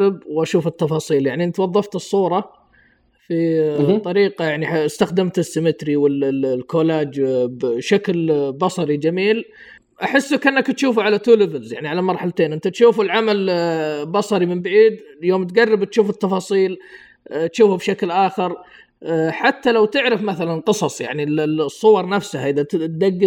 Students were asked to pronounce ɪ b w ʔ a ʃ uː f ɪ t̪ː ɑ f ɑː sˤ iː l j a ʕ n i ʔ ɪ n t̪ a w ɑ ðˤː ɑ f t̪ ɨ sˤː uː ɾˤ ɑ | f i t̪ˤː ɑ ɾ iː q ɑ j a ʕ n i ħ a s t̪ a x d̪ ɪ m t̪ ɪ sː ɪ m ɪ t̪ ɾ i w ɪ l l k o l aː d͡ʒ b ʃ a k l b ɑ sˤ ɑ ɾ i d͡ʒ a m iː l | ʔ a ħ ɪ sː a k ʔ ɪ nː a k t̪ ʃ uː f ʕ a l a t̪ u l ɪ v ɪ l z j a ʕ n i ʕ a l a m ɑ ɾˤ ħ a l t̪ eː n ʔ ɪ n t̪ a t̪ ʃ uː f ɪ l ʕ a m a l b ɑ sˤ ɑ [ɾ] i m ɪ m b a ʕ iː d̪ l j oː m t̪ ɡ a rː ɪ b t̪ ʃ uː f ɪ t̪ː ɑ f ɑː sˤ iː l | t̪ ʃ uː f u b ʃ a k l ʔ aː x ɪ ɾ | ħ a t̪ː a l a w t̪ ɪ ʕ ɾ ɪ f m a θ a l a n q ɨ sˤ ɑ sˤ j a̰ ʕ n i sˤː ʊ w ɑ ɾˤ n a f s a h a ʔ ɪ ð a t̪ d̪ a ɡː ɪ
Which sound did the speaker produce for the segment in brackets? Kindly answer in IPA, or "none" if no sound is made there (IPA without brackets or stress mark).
ɾ